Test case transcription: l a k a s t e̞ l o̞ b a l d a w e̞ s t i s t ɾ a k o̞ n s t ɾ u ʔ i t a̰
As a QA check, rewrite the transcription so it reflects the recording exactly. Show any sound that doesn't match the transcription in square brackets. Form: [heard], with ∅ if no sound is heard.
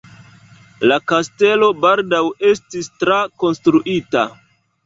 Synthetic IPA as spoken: l a k a s t e̞ l o̞ b a l d a w e̞ s t i s t ɾ a k o̞ n s t ɾ u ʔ i t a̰